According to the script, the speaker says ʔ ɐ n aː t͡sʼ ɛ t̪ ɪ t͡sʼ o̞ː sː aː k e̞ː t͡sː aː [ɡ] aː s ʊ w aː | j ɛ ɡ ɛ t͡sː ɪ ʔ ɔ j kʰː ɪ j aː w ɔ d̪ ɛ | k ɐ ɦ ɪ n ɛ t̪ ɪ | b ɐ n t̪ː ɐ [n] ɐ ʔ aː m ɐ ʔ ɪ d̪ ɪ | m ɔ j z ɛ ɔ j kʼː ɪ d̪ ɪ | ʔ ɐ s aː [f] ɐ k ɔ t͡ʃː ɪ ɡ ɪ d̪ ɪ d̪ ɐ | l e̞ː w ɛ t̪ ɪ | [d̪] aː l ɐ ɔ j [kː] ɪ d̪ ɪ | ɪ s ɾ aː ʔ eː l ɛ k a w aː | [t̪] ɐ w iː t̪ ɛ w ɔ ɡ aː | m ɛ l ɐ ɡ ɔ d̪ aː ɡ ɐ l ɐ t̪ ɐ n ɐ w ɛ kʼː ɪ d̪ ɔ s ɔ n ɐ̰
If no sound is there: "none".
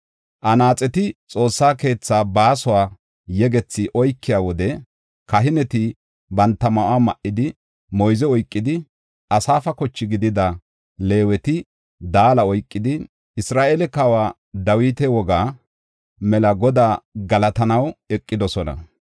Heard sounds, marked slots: b, m, f, d̪, kʼː, d̪

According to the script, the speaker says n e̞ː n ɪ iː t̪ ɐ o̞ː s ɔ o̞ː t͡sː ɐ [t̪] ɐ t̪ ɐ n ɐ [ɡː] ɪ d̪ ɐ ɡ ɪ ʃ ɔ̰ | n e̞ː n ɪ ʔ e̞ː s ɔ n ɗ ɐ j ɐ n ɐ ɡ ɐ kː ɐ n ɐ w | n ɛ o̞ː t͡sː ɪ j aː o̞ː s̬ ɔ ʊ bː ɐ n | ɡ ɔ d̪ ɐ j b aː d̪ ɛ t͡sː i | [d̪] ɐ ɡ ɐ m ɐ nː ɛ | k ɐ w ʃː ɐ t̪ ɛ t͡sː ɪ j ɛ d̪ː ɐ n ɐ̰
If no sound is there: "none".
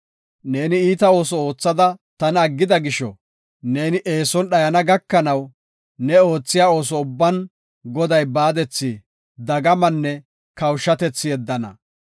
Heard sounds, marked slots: d̪, ɡː, d̪

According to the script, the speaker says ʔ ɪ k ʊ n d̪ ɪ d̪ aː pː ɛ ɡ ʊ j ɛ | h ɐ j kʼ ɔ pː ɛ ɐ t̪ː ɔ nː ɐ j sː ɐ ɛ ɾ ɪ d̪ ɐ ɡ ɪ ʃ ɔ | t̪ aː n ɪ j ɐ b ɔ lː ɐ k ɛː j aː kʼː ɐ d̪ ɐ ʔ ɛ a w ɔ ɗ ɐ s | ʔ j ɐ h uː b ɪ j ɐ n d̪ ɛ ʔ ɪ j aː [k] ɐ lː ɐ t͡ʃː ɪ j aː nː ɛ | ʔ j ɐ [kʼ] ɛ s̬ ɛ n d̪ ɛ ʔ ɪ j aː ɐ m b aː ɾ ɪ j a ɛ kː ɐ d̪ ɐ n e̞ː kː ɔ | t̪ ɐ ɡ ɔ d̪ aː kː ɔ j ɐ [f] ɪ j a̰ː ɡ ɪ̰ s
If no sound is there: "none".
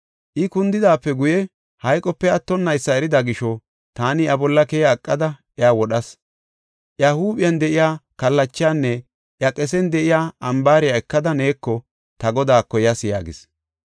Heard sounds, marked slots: k, kʼ, s

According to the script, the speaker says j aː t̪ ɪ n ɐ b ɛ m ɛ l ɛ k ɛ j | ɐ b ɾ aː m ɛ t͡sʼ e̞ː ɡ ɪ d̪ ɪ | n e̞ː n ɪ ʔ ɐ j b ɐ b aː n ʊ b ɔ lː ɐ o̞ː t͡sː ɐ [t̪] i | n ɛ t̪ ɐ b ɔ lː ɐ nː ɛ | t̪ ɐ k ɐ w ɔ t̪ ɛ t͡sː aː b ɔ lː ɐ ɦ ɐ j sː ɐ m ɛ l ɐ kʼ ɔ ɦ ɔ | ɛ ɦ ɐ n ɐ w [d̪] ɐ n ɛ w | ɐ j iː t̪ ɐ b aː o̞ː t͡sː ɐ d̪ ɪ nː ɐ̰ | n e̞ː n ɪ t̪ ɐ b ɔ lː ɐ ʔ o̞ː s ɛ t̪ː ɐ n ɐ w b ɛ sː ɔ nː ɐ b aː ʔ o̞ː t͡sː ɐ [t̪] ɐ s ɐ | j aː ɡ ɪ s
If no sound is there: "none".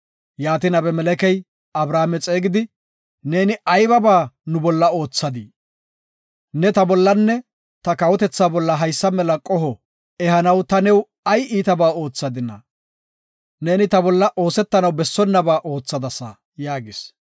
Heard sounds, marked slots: d̪, t̪, d̪

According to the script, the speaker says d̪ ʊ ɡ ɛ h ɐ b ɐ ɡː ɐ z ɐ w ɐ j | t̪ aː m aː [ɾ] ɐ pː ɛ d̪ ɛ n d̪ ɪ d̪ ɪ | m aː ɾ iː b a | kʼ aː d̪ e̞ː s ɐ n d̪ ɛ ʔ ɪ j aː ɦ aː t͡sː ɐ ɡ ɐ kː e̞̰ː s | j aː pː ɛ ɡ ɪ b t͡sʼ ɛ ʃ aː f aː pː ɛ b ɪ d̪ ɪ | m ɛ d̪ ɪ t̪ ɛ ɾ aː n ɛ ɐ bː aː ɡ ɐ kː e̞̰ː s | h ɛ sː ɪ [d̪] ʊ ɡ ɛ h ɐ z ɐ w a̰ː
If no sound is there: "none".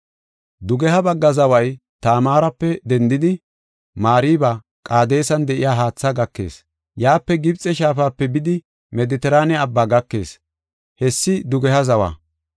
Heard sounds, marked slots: ɾ, d̪

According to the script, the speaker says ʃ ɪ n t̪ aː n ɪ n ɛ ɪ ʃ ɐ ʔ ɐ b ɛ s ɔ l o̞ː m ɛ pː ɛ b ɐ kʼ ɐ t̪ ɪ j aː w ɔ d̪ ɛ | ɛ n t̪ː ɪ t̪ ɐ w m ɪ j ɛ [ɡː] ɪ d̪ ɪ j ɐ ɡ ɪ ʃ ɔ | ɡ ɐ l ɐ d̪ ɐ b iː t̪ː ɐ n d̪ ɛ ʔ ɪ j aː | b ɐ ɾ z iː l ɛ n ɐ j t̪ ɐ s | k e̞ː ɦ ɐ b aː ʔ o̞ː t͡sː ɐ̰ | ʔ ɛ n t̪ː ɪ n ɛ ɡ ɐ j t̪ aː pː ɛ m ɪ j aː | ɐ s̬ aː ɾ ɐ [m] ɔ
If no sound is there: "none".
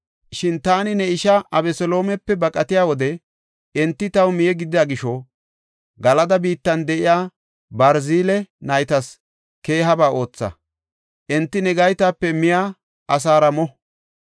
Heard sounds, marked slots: ɡ, m

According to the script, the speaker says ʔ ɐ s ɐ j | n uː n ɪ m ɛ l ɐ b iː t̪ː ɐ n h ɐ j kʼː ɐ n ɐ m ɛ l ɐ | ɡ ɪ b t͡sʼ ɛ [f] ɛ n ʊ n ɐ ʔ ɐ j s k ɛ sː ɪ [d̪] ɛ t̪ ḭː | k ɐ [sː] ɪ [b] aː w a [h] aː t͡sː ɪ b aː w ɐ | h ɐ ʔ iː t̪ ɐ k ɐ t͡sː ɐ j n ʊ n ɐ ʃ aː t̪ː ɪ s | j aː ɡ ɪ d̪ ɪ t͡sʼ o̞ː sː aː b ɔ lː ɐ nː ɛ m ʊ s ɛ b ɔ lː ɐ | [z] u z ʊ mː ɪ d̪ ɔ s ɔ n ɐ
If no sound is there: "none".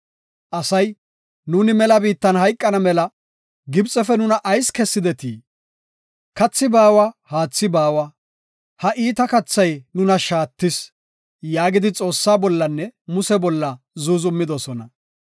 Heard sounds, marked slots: f, d̪, t͡sː, b, h, z

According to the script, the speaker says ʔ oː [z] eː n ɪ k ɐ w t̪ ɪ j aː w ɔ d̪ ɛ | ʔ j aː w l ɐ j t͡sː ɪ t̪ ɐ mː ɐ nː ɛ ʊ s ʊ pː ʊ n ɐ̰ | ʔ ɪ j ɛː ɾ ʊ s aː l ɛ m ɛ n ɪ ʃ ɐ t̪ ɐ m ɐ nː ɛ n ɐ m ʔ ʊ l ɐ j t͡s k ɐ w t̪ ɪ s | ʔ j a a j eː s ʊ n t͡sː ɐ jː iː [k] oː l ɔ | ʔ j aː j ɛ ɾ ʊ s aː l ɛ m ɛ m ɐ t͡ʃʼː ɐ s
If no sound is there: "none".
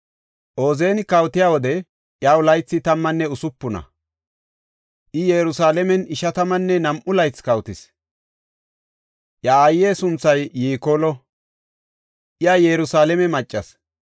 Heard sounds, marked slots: z, k

